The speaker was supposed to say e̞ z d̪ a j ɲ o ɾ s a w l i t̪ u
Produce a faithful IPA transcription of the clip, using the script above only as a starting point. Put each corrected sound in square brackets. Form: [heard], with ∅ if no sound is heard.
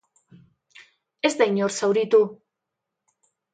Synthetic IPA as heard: e̞ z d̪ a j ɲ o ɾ s a w [ɾ] i t̪ u

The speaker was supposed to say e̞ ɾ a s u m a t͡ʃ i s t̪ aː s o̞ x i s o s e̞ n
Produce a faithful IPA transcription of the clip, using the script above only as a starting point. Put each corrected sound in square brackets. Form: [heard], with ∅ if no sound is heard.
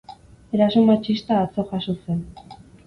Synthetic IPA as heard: e̞ ɾ a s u m a t͡ʃ i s t̪ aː [t͡s] o̞ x [a] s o s e̞ n

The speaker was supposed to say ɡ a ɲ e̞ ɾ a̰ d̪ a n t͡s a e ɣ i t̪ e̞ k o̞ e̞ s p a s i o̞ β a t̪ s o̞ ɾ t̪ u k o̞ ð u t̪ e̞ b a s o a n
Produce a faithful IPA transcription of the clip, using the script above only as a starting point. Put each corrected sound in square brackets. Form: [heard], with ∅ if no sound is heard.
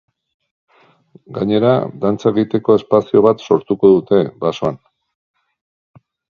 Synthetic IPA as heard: ɡ a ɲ e̞ ɾ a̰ d̪ a n t͡s a e ɣ i t̪ e̞ k o̞ e̞ s p a s i o̞ β a t̪ s o̞ ɾ t̪ u k o̞ ð u t̪ e̞ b a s o a n

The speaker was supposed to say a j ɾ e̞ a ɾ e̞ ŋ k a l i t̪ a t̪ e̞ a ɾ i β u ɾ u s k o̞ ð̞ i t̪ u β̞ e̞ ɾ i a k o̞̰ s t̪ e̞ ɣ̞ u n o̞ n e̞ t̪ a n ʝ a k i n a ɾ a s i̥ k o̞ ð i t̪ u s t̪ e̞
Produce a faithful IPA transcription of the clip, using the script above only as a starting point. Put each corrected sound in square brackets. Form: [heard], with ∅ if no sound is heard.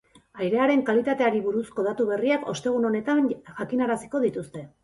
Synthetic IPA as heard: a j ɾ e̞ a ɾ e̞ ŋ k a l i t̪ a t̪ e̞ a ɾ i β u ɾ u s k o̞ ð̞ [a] t̪ u β̞ e̞ [r] i a k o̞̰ s t̪ e̞ ɣ̞ u n o̞ n e̞ t̪ a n ʝ a k i n a ɾ a s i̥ k o̞ ð i t̪ u s t̪ e̞

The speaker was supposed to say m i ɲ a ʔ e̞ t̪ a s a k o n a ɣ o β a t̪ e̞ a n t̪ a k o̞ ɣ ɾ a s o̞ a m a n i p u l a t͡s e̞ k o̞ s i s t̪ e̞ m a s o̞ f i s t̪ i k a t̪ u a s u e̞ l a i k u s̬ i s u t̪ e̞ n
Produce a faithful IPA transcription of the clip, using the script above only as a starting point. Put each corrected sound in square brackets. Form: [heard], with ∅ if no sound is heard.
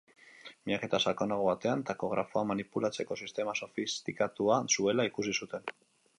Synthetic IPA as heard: m i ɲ a [k] e̞ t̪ a s a k o n a ɣ o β a t̪ e̞ a n t̪ a k o̞ ɣ ɾ a [f] o̞ a m a n i p u l a t͡s e̞ k o̞ s i s t̪ e̞ m a s o̞ f i s t̪ i k a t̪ u a s u e̞ l a i k u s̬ i s u t̪ e̞ n

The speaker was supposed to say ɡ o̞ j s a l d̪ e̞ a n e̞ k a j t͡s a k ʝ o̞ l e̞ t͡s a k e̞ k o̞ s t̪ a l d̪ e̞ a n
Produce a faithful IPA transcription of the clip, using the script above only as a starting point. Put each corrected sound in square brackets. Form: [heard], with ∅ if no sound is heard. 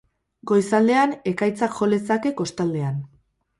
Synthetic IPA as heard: ɡ o̞ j s a l d̪ e̞ a n e̞ k a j t͡s a k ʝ o̞ l e̞ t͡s a k e̞ k o̞ s t̪ a l d̪ e̞ a n

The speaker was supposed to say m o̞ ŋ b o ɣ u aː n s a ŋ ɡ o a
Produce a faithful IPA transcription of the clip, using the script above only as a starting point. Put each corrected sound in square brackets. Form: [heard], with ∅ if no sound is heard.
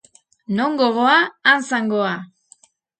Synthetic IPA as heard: [n] o̞ ŋ [ɡ] o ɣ [o] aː n s a ŋ ɡ o a

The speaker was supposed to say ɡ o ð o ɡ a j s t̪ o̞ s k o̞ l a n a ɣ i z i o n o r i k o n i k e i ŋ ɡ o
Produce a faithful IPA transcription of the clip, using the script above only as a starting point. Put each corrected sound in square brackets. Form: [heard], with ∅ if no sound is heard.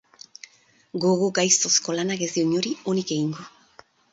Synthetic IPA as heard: ɡ o [ɣ] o ɡ a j s t̪ o̞ s k o̞ l a n a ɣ [e] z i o [ɲ] o [ɾ] i [∅] o n i k e i ŋ ɡ o

